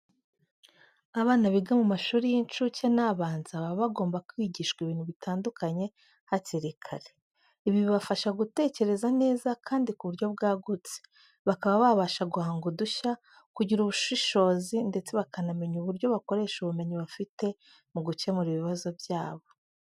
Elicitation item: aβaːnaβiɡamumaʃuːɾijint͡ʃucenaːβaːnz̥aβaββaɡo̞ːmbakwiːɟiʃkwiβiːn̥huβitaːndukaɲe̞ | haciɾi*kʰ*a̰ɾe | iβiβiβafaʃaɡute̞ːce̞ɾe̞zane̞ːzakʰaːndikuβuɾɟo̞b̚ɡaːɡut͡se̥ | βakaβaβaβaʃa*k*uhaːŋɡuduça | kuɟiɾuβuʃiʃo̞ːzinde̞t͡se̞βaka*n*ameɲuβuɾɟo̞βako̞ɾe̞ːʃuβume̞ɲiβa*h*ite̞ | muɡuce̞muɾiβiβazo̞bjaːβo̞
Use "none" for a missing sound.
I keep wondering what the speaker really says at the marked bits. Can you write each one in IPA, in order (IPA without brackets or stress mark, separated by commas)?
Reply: kʰ, ɡ, n, f